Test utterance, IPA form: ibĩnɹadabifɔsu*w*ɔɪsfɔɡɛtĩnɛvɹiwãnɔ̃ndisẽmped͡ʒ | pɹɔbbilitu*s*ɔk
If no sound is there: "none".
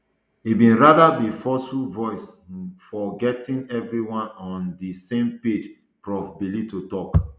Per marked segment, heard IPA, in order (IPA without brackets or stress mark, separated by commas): v, t